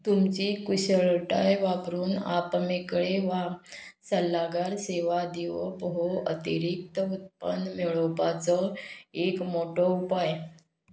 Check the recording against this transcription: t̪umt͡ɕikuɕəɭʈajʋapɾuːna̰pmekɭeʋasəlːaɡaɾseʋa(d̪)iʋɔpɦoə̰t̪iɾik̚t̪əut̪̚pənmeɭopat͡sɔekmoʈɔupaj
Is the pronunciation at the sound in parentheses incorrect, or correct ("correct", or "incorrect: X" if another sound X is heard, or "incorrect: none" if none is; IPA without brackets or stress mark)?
correct